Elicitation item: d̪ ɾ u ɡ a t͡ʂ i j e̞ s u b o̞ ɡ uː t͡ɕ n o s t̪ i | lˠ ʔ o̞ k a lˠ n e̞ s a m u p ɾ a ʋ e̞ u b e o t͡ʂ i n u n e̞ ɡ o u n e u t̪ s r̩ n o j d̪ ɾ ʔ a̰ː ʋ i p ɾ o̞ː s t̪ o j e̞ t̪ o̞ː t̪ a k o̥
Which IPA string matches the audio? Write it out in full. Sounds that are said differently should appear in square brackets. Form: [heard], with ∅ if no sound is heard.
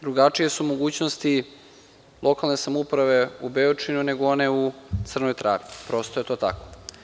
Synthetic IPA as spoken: d̪ ɾ u ɡ a t͡ʂ i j e̞ s u [m] o̞ ɡ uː t͡ɕ n o s t̪ i | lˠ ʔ o̞ k a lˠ n e̞ s a m u p ɾ a ʋ e̞ u b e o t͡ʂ i n u n e̞ ɡ o [o] n e u t̪ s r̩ n o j [t̪] ɾ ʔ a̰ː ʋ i p ɾ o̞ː s t̪ o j e̞ t̪ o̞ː t̪ a k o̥

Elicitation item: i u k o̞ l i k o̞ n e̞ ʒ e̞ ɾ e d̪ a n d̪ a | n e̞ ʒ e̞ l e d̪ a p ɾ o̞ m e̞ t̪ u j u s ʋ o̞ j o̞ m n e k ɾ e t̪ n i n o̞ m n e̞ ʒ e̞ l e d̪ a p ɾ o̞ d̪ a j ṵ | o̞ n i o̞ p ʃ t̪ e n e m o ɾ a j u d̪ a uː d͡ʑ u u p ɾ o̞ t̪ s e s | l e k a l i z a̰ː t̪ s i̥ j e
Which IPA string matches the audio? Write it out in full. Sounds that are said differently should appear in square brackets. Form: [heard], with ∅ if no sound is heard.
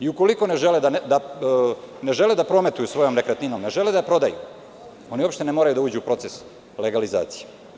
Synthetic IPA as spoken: i u k o̞ l i k o̞ n e̞ ʒ e̞ [l] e d̪ a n d̪ a | n e̞ ʒ e̞ l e d̪ a p ɾ o̞ m e̞ t̪ u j u s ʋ o̞ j o̞ m n e k ɾ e t̪ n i n o̞ m n e̞ ʒ e̞ l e d̪ a p ɾ o̞ d̪ a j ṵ | o̞ n i o̞ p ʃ t̪ e n e m o ɾ a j u d̪ a uː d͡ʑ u u p ɾ o̞ t̪ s e s | l e [ɡ] a l i z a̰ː t̪ s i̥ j e

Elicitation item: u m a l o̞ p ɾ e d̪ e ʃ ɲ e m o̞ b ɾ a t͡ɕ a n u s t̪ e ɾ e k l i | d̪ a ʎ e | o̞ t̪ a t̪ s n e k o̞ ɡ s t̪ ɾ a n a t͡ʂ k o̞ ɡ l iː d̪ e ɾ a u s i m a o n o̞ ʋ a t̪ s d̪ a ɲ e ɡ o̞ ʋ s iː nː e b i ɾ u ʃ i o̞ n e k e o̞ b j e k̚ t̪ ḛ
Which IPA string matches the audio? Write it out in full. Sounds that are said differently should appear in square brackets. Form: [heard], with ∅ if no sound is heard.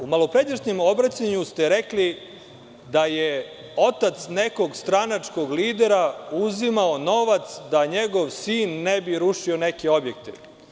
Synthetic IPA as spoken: u m a l o̞ p ɾ e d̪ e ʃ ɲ e m o̞ b ɾ a t͡ɕ a [ɲ] u s t̪ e ɾ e k l i | d̪ a [j] e | o̞ t̪ a t̪ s n e k o̞ ɡ s t̪ ɾ a n a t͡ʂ k o̞ ɡ l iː d̪ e ɾ a u [z] i m a o n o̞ ʋ a t̪ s d̪ a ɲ e ɡ o̞ ʋ s iː nː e b i ɾ u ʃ i o̞ n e k e o̞ b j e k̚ t̪ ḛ

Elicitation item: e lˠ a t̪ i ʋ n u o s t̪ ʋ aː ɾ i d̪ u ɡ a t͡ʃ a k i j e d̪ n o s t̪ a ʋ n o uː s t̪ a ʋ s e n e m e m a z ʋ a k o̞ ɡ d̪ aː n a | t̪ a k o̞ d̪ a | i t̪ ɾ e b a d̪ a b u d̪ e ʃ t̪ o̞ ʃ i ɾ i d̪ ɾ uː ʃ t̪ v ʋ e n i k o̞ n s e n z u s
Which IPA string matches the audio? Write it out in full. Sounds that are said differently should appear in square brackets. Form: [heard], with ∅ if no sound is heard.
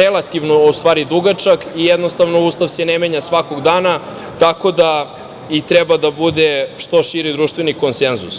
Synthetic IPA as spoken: e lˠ a t̪ i ʋ n [o] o s t̪ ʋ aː ɾ i d̪ u ɡ a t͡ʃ a k i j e d̪ n o s t̪ a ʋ n o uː s t̪ a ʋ s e n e m e [ɲ] a [s] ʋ a k o̞ ɡ d̪ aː n a | t̪ a k o̞ d̪ a | i t̪ ɾ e b a d̪ a b u d̪ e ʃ t̪ o̞ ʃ i ɾ i d̪ ɾ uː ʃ t̪ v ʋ e n i k o̞ n s e n z u s

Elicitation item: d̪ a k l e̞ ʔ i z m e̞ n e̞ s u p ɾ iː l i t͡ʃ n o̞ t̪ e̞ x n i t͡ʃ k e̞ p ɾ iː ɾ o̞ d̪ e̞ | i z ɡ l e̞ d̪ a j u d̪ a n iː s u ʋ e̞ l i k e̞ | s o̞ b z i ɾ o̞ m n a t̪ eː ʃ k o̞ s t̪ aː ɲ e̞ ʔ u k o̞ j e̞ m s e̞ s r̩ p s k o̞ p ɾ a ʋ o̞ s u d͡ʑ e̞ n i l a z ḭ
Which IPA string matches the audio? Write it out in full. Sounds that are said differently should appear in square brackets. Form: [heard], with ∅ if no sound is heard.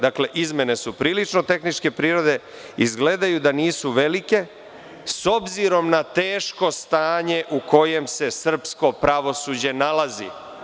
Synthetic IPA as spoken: d̪ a k l e̞ ʔ i z m e̞ n e̞ s u p ɾ iː l i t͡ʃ n o̞ t̪ e̞ x n i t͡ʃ k e̞ p ɾ iː ɾ o̞ d̪ e̞ | i z ɡ l e̞ d̪ a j u d̪ a n iː s u ʋ e̞ l i k e̞ | s o̞ b z i ɾ o̞ m n a t̪ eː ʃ k o̞ s t̪ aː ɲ e̞ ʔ u k o̞ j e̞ m s e̞ s r̩ p s k o̞ p ɾ a ʋ o̞ s u d͡ʑ e̞ n [a] l a z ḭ

